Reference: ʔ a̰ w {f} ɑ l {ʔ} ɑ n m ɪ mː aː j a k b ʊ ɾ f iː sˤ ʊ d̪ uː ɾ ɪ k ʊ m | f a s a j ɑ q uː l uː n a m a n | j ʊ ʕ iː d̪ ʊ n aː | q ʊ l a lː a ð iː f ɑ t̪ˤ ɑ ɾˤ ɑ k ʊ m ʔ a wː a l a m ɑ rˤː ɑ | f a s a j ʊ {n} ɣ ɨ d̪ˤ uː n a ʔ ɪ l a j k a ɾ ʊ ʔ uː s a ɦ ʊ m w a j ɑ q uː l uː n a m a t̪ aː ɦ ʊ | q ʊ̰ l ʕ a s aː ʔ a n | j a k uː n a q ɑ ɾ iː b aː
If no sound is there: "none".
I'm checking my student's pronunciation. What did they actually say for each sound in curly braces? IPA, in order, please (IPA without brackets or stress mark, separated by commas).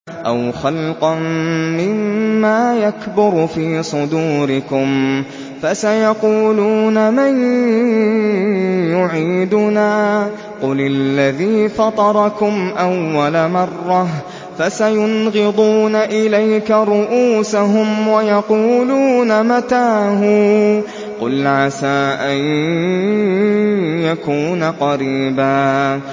x, q, n